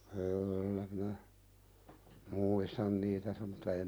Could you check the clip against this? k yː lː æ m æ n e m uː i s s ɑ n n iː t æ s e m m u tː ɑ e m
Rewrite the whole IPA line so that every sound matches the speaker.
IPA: k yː lː æ m i n æ m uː i s t ɑ n n iː t æ s e m m u tː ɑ e m